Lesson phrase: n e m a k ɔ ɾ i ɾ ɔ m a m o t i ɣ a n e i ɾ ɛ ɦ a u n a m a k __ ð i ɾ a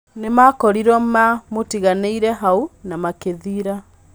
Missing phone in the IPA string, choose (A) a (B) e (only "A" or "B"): B